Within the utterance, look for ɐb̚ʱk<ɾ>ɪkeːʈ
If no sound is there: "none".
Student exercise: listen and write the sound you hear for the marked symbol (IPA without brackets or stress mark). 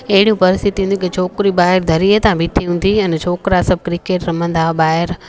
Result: ɾ